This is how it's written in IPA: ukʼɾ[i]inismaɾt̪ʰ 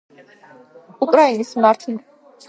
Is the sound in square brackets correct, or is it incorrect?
incorrect